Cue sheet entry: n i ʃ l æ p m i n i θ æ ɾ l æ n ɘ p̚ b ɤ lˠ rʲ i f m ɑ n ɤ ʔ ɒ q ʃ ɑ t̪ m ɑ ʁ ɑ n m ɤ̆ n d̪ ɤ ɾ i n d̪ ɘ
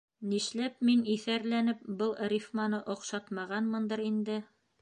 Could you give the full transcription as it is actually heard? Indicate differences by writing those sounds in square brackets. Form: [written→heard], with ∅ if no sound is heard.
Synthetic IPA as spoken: n i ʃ l æ p m i n i θ æ ɾ l æ n ɘ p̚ b ɤ lˠ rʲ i f m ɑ n ɤ ʔ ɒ q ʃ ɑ t̪ m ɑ ʁ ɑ n m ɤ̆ n d̪ ɤ ɾ i n d̪ ɘ